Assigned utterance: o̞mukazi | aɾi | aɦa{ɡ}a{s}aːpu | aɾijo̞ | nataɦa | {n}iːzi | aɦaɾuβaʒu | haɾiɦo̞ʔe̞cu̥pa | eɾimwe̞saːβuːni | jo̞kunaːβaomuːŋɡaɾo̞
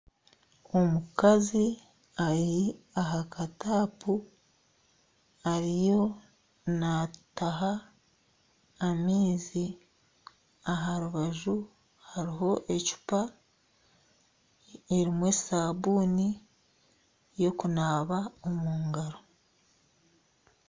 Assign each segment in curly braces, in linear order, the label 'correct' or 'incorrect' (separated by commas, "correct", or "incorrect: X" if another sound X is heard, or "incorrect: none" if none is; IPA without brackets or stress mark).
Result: incorrect: k, incorrect: t, incorrect: m